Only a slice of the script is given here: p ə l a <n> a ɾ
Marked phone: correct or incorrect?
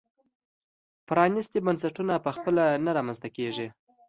correct